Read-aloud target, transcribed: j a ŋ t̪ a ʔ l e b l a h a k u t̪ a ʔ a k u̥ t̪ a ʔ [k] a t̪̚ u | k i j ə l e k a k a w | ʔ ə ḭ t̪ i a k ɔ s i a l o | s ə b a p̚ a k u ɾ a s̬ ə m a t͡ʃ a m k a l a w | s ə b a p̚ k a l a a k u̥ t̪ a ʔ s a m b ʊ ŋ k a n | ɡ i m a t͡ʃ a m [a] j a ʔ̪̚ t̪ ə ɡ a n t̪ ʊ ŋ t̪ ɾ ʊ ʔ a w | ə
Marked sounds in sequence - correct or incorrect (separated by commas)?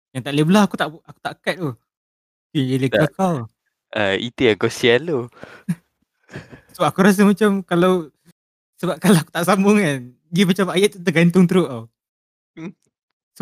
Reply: correct, correct